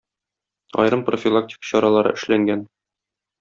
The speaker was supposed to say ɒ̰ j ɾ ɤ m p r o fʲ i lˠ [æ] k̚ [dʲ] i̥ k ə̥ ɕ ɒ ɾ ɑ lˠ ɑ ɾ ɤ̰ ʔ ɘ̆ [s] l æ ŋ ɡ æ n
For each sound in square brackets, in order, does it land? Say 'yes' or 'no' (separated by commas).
no, no, no